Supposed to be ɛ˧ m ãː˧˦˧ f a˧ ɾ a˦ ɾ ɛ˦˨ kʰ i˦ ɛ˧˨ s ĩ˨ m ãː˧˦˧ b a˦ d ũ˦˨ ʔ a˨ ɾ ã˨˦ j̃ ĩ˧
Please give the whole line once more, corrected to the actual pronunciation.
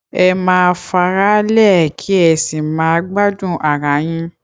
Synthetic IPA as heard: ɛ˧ m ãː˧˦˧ f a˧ ɾ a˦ l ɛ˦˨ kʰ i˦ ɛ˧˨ s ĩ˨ m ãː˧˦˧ ɡ͡b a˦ d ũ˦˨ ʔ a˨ ɾ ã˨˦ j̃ ĩ˧